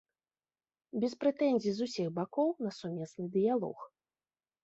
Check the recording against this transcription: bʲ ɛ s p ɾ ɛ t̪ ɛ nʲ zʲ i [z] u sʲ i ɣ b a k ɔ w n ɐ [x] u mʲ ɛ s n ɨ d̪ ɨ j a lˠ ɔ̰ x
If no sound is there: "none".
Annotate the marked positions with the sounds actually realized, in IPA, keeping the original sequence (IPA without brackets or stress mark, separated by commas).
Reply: z, s